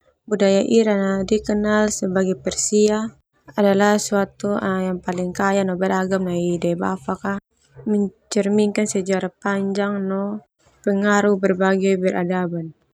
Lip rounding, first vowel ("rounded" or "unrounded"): rounded